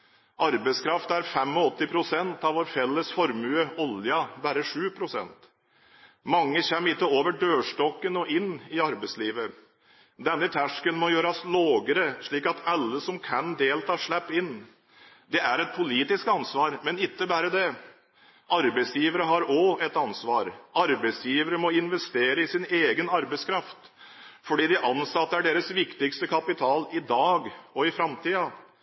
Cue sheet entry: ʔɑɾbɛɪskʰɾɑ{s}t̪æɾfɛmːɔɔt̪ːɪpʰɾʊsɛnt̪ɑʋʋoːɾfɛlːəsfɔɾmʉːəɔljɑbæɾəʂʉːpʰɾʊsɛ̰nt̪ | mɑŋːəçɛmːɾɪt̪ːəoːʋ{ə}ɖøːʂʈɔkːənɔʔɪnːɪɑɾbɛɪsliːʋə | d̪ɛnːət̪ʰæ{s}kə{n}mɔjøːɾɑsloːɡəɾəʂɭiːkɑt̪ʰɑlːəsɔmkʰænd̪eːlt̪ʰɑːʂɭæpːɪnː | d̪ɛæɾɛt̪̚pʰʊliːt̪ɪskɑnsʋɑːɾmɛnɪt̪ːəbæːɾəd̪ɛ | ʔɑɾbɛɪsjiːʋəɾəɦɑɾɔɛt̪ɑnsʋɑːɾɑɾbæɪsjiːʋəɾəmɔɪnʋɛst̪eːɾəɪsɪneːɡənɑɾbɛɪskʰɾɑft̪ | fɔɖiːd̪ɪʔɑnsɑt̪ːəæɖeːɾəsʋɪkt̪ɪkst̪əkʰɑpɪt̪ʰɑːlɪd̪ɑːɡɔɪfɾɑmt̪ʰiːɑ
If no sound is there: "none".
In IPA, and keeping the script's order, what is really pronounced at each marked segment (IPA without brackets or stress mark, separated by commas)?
f, ə, ʂ, n